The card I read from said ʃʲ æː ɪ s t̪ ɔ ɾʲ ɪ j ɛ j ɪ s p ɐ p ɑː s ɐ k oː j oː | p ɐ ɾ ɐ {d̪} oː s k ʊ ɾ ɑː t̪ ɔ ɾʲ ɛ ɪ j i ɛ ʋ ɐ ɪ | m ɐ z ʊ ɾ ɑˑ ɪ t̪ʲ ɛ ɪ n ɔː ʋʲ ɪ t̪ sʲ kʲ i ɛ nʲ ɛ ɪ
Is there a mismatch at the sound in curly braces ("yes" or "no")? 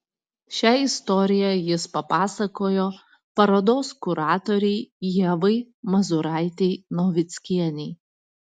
no